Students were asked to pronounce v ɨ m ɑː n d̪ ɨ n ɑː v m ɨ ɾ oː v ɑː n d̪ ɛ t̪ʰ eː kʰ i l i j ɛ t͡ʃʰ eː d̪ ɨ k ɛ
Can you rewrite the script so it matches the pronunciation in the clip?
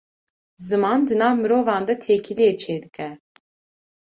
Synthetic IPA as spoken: z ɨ m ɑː n d̪ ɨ n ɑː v m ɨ ɾ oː v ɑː n d̪ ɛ t̪ʰ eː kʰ i l i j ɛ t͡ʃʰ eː d̪ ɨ k ɛ